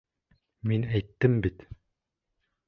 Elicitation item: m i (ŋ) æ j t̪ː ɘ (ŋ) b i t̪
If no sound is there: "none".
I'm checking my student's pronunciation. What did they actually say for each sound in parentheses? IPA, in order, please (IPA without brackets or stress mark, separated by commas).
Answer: n, m